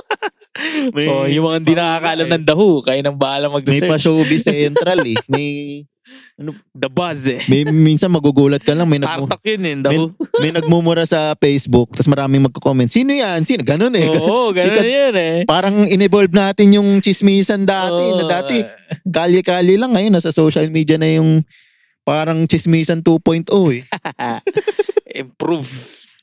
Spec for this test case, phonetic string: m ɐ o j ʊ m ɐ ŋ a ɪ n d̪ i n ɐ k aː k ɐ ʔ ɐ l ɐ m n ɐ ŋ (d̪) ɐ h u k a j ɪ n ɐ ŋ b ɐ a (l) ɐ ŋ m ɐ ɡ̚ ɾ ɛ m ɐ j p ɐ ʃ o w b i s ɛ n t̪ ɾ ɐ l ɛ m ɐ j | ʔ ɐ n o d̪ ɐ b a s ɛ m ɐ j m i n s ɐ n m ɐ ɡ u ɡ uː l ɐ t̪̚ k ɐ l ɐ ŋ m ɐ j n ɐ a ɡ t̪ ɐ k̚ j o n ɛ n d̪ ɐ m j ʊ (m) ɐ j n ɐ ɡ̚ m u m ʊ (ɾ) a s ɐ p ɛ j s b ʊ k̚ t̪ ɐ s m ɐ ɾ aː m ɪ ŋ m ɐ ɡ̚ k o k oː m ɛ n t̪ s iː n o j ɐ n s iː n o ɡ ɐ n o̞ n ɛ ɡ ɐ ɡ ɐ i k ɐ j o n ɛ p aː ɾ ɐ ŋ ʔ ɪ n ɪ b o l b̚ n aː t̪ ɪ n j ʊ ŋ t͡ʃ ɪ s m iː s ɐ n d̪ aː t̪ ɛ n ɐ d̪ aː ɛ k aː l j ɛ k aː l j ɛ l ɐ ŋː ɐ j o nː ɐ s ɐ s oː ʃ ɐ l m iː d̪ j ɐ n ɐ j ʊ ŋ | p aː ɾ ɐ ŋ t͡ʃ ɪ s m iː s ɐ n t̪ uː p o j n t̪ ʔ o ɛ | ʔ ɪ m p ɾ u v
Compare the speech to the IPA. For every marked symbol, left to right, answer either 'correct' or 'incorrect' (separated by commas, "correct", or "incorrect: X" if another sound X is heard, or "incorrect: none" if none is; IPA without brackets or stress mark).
correct, correct, correct, correct